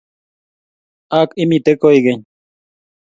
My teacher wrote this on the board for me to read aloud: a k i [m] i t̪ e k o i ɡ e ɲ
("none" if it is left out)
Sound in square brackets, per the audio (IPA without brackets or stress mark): m